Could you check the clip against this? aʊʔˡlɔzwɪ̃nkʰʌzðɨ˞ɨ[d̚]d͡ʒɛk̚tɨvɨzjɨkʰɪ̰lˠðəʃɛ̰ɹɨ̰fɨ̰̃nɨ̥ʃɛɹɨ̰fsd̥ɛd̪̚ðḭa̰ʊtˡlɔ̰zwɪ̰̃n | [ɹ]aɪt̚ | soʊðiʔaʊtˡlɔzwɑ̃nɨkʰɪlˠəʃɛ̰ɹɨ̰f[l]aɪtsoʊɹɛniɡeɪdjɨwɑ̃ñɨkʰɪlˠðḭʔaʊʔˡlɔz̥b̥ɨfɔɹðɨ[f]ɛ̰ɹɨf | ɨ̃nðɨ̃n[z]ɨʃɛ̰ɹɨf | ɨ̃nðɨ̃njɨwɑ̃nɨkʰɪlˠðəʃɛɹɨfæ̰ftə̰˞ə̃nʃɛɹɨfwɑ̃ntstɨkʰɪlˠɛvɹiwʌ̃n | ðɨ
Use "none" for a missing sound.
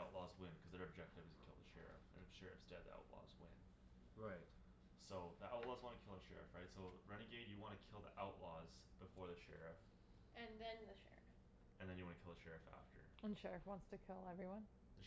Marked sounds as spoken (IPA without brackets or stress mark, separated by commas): b̚, ɹ, ɹ, ʃ, ð